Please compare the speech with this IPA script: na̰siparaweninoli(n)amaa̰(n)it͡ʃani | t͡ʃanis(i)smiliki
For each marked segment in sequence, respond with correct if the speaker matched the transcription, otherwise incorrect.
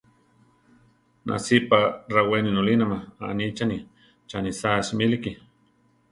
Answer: correct, correct, incorrect: a

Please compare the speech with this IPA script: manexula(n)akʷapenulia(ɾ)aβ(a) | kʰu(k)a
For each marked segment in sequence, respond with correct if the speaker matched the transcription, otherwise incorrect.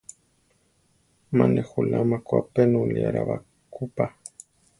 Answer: incorrect: m, correct, correct, incorrect: p

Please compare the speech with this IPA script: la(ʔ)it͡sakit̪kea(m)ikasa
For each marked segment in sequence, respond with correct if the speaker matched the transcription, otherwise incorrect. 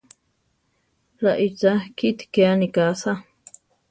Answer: correct, incorrect: n

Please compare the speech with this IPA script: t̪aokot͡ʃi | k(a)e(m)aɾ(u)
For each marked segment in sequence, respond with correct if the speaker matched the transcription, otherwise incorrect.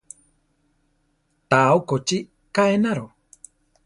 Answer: correct, incorrect: n, incorrect: o

